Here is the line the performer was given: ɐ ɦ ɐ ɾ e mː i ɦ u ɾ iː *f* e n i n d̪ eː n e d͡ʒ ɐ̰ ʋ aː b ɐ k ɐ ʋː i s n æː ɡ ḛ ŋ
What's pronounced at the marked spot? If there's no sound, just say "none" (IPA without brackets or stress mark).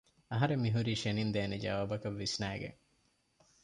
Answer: ʃ